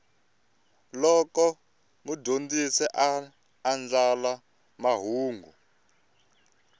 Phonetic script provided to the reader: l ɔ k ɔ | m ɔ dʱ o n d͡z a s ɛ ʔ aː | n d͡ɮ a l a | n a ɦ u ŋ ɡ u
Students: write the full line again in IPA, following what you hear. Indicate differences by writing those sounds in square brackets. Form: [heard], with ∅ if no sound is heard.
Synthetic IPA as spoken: l ɔ k ɔ | m [u] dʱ o n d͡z [i] s ɛ ʔ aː | n d͡ɮ a l a | [m] a ɦ [uː] ŋ ɡ u